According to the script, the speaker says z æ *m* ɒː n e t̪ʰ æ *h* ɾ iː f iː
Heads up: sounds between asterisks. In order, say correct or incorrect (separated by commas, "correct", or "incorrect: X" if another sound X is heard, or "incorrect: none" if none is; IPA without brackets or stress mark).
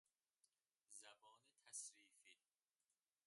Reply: incorrect: b, incorrect: s